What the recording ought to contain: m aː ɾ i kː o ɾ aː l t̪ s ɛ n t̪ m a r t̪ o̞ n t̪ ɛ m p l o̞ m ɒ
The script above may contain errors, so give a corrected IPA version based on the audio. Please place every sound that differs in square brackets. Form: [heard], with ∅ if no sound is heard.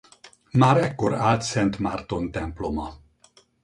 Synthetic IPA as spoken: m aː ɾ [ɛ] kː o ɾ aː l t̪ s ɛ n t̪ m a r t̪ o̞ n t̪ ɛ m p l o̞ m ɒ

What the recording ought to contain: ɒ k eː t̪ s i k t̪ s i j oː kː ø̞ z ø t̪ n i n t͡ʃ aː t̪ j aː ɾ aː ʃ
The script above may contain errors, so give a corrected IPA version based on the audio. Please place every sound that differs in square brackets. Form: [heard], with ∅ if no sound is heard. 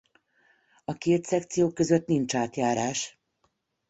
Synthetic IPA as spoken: ɒ k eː t̪ s [ɛ] k t̪ s i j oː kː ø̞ z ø t̪ n i n t͡ʃ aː t̪ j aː ɾ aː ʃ

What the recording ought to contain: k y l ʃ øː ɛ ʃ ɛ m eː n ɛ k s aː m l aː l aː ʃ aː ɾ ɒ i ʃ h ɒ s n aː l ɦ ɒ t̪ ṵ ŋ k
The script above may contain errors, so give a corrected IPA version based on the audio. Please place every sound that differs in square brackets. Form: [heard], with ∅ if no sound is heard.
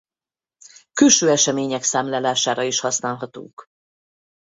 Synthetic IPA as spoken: k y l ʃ øː ɛ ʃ ɛ m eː [ɲ] ɛ k s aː m l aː l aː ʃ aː ɾ ɒ i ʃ h ɒ s n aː l ɦ ɒ t̪ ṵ ŋ k

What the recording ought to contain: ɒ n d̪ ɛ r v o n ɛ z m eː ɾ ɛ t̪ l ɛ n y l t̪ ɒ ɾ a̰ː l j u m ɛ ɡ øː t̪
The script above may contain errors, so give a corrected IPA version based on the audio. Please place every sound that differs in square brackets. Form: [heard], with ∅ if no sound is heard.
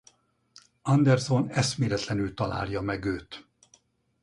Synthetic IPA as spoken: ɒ n d̪ ɛ r [z] o n ɛ [s] m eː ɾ ɛ t̪ l ɛ n y l t̪ ɒ [l] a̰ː l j [ɒ] m ɛ ɡ øː t̪

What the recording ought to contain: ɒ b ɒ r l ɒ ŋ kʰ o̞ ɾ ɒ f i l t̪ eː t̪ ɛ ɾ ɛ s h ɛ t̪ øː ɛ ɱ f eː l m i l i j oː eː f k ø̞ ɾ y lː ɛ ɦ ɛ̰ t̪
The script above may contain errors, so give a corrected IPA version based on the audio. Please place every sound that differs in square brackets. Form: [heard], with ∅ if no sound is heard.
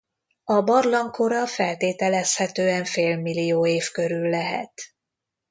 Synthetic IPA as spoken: ɒ b ɒ r l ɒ ŋ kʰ o̞ ɾ ɒ f [ɛ] l t̪ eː t̪ ɛ [l] ɛ s h ɛ t̪ øː ɛ ɱ f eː l m i l i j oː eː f k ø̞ ɾ y lː ɛ ɦ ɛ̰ t̪

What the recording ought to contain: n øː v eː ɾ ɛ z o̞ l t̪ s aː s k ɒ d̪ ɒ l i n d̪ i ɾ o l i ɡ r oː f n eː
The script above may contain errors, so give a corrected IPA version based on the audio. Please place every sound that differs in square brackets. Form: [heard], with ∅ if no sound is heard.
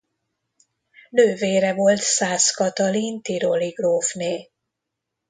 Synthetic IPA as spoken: n øː v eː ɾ ɛ [v] o̞ l t̪ s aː s k ɒ [t̪] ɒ l i n [t̪] i ɾ o l i ɡ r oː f n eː

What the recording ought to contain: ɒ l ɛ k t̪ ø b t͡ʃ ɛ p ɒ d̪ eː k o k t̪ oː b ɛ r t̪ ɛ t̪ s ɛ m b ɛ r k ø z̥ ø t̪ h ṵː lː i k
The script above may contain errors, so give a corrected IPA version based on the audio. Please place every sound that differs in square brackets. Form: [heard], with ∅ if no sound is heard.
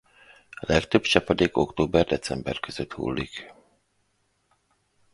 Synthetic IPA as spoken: ɒ l ɛ k t̪ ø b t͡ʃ ɛ p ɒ d̪ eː k o k t̪ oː b ɛ r [d̪] ɛ t̪ s ɛ m b ɛ r k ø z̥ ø t̪ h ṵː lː i k

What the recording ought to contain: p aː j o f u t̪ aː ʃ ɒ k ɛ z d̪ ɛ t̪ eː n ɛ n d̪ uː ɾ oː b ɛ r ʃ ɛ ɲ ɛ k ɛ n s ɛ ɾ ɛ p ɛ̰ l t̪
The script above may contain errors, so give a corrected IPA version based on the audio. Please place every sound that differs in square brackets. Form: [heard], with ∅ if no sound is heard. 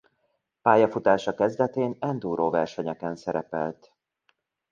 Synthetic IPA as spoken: p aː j [ɒ] f u t̪ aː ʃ ɒ k ɛ z d̪ ɛ t̪ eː n ɛ n d̪ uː ɾ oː [v] ɛ r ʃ ɛ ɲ ɛ k ɛ n s ɛ ɾ ɛ p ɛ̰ l t̪

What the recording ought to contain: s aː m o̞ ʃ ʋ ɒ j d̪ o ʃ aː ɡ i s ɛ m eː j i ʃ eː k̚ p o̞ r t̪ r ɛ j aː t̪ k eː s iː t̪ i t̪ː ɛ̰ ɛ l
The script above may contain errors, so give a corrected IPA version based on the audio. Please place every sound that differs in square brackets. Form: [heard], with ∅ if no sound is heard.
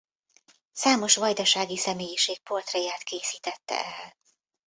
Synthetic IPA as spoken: s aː m o̞ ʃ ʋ ɒ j d̪ [ɒ] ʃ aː ɡ i s ɛ m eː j i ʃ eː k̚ p o̞ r t̪ r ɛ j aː t̪ k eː s iː t̪ [ɛ] t̪ː ɛ̰ ɛ l

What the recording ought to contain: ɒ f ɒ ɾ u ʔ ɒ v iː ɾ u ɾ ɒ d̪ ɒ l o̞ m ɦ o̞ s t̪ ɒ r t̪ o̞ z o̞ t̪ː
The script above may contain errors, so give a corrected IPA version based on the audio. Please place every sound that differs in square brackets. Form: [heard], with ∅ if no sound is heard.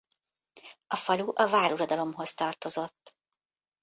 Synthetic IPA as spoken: ɒ f ɒ [l] u ʔ ɒ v [aː] ɾ u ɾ ɒ d̪ ɒ l o̞ m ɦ o̞ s t̪ ɒ r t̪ o̞ z o̞ t̪ː

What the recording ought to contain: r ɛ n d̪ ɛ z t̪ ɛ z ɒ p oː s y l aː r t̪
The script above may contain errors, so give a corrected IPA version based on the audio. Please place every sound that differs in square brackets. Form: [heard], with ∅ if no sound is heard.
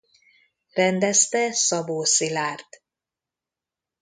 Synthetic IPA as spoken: r ɛ n d̪ ɛ [s] t̪ ɛ [s] ɒ [b] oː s [i] l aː r t̪

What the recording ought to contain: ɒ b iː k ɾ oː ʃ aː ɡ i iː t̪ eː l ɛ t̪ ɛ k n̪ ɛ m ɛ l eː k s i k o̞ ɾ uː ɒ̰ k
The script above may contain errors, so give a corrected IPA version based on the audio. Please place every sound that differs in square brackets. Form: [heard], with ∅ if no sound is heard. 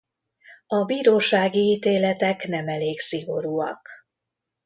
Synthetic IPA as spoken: ɒ b iː [∅] ɾ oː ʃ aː ɡ i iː t̪ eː l ɛ t̪ ɛ k n̪ ɛ m ɛ l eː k s i [ɡ] o̞ ɾ uː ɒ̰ k

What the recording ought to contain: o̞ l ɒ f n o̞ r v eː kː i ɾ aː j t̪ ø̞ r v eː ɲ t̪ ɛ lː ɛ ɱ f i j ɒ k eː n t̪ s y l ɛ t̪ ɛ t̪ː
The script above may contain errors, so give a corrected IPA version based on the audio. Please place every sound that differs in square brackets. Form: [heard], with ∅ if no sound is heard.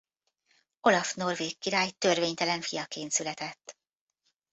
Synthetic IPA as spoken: o̞ l ɒ f n o̞ r v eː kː i ɾ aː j t̪ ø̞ r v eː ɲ t̪ ɛ [l] ɛ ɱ f i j ɒ k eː n t̪ s y l ɛ t̪ ɛ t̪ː

